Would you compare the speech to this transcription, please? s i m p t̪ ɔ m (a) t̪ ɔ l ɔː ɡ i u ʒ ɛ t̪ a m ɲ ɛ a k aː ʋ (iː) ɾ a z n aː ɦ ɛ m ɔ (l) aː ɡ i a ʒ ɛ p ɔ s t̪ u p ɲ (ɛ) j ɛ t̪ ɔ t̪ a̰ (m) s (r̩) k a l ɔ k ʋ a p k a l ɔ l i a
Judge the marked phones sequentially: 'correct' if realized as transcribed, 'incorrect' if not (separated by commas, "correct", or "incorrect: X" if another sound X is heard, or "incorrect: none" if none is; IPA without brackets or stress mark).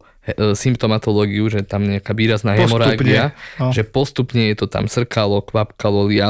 correct, correct, incorrect: ɾ, correct, correct, correct